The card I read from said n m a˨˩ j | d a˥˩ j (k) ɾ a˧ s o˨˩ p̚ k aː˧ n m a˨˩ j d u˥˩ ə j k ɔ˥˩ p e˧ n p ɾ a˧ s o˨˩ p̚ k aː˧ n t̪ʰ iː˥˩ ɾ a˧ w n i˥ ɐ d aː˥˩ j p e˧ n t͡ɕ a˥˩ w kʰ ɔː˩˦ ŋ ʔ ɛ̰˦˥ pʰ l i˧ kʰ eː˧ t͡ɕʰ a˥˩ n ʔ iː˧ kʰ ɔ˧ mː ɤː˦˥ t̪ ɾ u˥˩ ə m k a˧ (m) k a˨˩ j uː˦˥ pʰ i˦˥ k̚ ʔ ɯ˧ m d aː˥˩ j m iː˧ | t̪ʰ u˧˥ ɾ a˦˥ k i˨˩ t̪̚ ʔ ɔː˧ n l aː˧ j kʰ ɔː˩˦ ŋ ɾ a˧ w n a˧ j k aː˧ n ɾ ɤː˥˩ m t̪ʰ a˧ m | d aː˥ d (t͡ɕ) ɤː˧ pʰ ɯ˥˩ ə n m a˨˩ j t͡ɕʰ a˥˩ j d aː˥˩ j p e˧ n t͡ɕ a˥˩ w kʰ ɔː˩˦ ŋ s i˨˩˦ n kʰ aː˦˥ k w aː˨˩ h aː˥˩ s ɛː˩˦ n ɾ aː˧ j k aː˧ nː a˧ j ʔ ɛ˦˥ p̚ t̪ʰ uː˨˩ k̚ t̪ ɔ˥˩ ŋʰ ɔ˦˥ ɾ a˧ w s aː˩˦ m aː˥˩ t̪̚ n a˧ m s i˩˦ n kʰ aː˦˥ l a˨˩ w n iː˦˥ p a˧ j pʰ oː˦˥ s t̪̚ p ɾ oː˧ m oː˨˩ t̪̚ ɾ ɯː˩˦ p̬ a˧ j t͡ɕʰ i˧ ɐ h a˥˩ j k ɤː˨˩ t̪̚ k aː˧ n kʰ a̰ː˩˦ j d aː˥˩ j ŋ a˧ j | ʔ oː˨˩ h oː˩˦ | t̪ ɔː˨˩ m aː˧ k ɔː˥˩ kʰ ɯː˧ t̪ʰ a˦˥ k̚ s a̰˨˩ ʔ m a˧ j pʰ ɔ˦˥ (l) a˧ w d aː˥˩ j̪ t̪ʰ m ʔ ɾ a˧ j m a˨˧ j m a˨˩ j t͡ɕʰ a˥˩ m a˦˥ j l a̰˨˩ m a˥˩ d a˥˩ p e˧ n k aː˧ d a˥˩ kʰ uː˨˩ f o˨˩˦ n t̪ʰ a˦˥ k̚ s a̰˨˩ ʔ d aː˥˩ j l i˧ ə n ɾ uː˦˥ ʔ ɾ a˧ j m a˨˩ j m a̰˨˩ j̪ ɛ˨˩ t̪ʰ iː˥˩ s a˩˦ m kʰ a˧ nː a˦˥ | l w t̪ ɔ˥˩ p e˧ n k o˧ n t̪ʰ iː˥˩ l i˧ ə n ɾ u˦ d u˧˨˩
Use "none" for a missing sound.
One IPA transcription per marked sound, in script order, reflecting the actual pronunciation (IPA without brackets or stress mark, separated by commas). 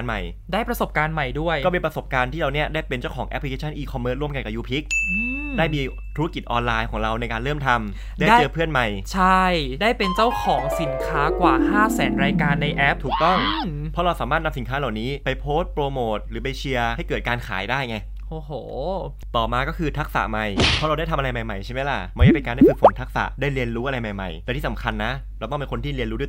p, n, t͡ɕ, ɾ